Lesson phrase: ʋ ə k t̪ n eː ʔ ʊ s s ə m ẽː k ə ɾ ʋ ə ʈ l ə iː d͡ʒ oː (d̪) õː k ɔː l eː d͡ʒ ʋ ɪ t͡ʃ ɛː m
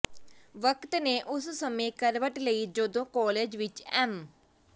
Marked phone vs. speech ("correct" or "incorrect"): correct